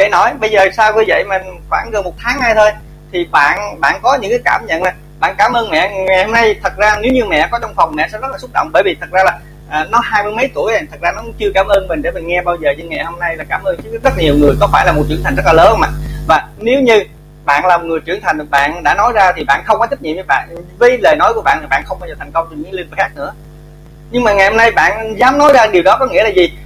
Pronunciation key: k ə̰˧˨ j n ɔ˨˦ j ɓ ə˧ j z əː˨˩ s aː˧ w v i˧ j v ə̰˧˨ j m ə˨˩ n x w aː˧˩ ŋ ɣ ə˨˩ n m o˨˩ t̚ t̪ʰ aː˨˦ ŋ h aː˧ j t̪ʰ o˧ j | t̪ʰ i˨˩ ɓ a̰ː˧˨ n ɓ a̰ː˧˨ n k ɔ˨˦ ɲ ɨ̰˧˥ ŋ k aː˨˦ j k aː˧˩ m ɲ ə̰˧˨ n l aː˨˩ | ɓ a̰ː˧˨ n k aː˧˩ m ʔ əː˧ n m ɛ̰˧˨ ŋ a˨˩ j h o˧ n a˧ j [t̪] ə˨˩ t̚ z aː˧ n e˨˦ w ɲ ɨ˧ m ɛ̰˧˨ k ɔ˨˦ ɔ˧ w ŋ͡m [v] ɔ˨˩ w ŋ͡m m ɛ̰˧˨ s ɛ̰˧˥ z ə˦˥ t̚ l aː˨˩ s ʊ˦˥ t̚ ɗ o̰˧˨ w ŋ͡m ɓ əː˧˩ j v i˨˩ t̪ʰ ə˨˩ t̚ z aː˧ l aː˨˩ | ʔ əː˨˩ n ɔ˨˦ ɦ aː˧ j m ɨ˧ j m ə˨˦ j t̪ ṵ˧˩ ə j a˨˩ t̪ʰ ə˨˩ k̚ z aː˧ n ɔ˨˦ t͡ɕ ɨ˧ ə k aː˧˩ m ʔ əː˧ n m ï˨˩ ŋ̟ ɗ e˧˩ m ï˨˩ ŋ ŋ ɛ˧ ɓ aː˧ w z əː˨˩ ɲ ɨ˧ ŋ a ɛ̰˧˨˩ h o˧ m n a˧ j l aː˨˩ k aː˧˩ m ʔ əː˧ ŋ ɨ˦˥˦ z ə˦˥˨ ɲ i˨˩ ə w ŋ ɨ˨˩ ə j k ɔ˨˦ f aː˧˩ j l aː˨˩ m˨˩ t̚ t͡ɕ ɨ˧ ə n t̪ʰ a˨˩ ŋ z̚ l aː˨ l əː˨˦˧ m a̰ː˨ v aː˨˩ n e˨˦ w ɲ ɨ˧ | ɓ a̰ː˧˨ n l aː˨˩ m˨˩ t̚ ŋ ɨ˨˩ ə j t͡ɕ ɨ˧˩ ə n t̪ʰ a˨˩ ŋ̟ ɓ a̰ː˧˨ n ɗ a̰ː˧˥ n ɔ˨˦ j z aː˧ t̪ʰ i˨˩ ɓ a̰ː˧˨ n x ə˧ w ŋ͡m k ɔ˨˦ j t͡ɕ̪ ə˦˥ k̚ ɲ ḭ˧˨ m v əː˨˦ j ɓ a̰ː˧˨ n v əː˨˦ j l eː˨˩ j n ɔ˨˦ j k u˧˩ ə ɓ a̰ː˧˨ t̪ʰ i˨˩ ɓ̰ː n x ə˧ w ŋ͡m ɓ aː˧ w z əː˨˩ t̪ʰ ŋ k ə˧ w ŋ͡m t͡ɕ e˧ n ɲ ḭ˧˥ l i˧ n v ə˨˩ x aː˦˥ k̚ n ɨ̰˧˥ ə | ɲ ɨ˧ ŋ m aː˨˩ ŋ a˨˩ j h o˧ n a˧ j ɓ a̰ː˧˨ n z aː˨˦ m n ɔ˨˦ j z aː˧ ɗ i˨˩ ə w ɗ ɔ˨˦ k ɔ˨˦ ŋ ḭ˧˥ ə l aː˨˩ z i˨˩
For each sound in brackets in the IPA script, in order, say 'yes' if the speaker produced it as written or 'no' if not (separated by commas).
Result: no, no